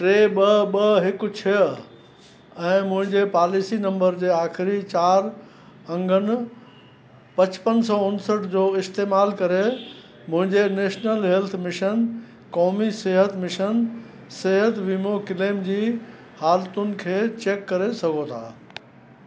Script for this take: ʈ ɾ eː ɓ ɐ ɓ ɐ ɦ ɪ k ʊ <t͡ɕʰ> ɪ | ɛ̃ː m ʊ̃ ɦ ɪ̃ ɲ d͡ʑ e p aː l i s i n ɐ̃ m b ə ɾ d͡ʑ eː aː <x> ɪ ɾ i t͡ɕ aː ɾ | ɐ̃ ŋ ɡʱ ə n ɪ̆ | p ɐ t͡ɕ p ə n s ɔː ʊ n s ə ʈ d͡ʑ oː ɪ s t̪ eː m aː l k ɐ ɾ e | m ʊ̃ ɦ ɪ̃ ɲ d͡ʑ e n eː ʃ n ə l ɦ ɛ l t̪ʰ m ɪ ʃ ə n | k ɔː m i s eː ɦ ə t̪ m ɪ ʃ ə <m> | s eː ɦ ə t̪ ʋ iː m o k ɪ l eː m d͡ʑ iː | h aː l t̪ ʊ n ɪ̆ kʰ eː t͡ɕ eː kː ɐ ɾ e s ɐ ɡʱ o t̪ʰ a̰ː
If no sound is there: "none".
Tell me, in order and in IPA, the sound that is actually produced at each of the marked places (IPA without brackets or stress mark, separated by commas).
t͡ɕʰ, x, n